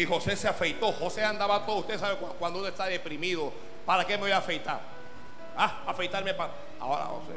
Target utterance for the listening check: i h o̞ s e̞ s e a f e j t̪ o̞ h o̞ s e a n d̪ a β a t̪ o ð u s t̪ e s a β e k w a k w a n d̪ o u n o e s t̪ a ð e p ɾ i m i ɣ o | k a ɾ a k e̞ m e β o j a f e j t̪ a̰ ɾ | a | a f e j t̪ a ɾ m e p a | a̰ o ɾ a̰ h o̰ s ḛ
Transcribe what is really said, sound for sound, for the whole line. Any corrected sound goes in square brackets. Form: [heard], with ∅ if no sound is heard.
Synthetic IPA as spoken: i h o̞ s e̞ s e a f e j t̪ o̞ h o̞ s e a n d̪ a β a t̪ o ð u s t̪ e s a β e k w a k w a n d̪ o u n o e s t̪ a ð e p ɾ i m i [ð] o | [p] a ɾ a k e̞ m e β o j a f e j t̪ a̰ ɾ | a | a f e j t̪ a ɾ m e p a | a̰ o ɾ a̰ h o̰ s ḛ